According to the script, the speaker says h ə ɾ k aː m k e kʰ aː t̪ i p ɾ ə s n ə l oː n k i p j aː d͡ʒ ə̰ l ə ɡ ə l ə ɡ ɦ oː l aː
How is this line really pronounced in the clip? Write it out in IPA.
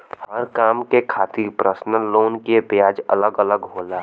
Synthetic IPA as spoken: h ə ɾ k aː m k e kʰ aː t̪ i p ɾ ə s n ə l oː n k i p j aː d͡ʒ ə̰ l ə ɡ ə l ə ɡ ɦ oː l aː